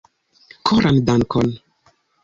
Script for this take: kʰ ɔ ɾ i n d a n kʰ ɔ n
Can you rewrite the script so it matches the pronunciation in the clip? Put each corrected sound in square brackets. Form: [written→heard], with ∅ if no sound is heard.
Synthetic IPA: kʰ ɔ ɾ [i→a] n d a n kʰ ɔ n